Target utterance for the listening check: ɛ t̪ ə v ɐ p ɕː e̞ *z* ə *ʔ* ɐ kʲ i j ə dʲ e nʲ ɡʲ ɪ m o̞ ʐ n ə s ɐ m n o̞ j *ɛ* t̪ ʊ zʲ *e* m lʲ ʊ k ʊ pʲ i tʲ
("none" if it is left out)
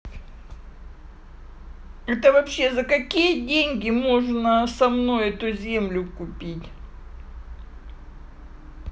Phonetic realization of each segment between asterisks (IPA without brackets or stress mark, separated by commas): z, k, ɛ, e